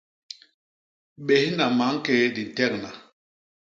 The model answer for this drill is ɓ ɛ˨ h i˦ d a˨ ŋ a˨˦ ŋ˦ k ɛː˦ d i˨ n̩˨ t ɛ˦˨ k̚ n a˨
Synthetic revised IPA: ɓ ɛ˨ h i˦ n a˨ m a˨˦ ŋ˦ k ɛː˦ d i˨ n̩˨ t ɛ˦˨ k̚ n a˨